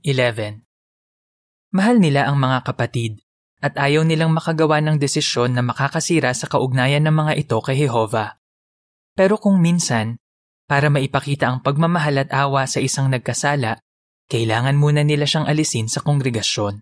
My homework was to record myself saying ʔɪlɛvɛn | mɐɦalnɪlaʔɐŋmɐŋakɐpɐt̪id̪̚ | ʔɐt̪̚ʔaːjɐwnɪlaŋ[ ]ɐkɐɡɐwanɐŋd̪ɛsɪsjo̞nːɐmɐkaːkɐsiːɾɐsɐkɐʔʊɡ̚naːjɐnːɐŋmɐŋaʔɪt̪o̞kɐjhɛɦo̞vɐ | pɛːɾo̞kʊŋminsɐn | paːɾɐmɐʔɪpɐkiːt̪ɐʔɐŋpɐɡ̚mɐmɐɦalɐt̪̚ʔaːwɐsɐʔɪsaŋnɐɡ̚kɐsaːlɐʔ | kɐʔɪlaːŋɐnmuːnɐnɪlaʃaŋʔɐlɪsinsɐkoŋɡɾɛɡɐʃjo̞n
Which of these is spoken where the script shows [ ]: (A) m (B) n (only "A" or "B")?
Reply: A